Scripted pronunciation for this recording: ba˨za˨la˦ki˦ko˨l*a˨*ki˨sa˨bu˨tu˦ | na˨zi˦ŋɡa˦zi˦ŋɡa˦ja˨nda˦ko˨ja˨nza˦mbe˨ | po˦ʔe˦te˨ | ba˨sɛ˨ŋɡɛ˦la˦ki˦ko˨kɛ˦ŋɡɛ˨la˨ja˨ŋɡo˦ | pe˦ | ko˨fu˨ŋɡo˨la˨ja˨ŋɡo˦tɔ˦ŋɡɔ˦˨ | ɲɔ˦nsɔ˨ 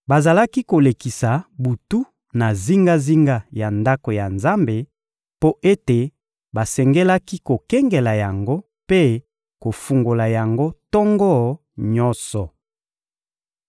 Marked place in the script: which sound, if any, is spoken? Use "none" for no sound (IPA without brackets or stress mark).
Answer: e˨